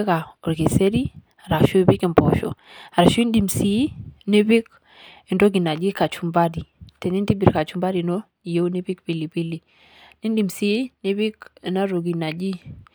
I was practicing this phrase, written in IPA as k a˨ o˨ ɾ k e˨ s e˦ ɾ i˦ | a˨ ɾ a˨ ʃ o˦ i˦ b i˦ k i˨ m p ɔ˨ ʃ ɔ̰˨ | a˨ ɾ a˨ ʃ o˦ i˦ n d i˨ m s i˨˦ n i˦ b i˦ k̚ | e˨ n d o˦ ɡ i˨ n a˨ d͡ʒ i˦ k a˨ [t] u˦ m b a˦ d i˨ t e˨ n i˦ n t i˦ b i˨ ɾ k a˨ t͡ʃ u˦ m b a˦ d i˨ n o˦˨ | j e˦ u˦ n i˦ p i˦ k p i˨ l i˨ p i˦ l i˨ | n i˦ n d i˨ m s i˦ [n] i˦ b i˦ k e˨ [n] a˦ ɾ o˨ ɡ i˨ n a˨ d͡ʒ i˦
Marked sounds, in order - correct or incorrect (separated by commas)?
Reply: incorrect, correct, correct